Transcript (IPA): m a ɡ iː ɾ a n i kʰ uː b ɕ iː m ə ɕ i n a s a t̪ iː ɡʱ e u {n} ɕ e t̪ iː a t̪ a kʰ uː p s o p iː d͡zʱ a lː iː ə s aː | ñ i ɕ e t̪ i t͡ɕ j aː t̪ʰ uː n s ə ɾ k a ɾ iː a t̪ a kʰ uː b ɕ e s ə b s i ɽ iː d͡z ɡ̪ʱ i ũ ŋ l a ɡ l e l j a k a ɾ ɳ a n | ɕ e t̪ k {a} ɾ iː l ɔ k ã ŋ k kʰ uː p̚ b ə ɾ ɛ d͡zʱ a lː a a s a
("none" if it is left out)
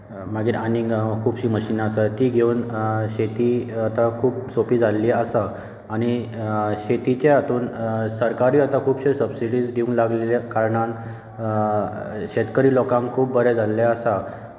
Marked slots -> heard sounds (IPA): n, ə

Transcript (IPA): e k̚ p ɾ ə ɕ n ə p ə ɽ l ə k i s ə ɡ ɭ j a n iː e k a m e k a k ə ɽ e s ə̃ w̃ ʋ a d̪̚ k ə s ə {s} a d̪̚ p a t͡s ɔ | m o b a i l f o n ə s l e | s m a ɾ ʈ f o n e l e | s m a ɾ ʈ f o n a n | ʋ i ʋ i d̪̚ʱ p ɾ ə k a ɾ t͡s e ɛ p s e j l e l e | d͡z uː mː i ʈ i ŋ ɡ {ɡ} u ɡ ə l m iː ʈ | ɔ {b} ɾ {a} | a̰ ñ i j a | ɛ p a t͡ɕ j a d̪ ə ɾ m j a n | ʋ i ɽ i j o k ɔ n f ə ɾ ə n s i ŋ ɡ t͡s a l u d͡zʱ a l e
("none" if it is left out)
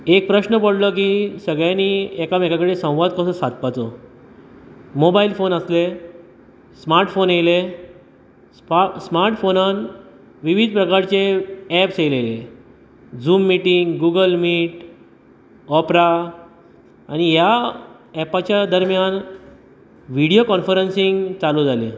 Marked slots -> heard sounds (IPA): s, ɡ, p, a

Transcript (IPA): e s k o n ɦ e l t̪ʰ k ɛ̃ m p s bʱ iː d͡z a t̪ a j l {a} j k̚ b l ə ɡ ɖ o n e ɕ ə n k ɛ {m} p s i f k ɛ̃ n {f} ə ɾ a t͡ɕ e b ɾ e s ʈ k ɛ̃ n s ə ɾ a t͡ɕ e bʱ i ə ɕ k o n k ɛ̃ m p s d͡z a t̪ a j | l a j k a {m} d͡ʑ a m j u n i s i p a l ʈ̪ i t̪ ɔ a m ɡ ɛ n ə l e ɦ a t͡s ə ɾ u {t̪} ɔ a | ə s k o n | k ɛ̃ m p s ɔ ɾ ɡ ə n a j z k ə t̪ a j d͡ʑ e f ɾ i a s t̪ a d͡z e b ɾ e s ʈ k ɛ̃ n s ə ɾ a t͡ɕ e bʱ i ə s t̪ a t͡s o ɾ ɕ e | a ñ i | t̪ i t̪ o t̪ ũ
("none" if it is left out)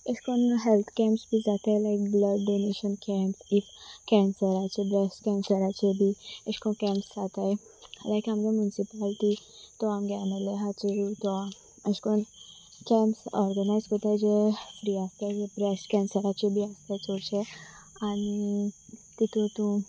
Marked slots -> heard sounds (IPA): a, m, s, m, t̪

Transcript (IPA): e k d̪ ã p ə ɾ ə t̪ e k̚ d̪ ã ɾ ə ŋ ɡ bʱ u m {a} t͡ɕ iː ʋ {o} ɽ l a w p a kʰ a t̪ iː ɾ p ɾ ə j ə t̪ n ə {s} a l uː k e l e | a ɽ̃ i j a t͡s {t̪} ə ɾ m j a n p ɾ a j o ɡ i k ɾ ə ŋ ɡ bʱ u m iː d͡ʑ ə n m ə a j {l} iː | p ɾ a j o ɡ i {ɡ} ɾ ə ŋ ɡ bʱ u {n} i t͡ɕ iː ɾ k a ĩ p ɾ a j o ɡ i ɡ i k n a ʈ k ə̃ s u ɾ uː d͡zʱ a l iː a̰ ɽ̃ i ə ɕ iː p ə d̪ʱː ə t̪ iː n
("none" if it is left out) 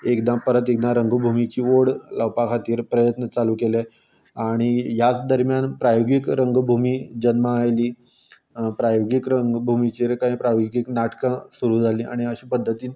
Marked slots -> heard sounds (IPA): i, o, t͡s, d̪, l, k, m

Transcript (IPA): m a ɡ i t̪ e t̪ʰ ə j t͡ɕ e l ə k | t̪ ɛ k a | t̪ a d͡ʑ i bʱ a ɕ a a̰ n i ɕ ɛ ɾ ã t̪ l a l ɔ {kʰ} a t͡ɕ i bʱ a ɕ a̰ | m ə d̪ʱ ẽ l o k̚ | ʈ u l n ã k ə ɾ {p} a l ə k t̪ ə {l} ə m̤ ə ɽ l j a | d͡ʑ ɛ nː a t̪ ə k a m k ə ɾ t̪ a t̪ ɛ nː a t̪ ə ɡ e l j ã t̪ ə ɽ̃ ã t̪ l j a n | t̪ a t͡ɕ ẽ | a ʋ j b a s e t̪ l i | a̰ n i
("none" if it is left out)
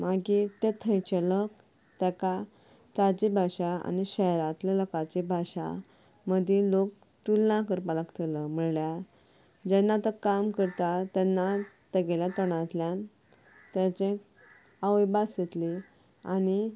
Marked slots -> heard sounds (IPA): k, p, l

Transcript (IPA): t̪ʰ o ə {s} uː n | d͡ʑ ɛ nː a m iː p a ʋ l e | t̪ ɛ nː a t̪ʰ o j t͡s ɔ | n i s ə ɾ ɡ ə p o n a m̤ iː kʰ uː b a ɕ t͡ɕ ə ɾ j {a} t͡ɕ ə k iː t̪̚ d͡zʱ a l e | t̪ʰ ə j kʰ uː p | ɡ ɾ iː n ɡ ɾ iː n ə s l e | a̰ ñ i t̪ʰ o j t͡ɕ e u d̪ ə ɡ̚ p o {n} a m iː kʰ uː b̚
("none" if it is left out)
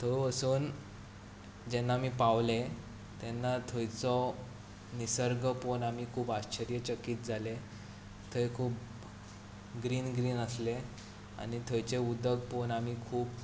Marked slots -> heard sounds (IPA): s, ə, n

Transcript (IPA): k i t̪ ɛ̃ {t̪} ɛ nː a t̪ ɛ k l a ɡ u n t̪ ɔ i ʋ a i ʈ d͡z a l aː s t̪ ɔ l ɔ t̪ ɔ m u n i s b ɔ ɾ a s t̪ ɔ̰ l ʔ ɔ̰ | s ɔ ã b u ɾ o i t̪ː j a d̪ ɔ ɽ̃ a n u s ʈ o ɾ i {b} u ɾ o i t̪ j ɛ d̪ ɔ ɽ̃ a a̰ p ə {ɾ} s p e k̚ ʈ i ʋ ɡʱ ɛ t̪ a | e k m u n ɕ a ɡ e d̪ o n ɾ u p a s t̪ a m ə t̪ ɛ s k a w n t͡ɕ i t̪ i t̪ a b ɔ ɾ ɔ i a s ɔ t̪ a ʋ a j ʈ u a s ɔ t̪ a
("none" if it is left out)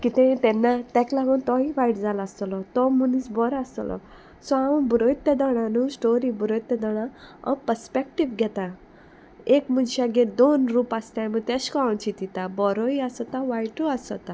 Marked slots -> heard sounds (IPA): t̪, b, ɾ

